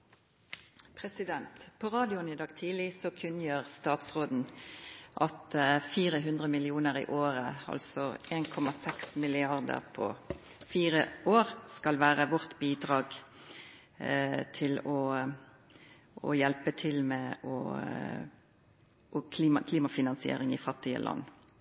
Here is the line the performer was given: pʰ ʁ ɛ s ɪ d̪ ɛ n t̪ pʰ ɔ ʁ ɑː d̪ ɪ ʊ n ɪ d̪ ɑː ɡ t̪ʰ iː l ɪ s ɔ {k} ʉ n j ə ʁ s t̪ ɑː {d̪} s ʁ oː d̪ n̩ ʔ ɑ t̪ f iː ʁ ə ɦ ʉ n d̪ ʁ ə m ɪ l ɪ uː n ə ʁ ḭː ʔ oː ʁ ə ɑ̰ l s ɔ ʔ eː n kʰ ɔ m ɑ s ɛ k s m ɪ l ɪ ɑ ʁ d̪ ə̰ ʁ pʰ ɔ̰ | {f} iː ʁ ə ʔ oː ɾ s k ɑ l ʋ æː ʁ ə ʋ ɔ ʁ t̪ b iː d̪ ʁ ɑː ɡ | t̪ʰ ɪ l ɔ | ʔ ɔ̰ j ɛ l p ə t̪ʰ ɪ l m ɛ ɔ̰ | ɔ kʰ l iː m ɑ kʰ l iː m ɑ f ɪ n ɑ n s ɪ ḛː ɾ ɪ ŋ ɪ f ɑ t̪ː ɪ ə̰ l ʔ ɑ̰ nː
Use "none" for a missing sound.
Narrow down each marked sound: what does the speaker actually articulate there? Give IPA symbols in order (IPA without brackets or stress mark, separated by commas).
kʰ, t̪, f